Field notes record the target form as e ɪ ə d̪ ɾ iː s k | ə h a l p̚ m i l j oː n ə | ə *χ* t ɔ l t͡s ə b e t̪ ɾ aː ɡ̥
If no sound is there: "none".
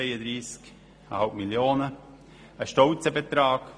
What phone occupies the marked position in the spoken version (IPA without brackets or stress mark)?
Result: ʃ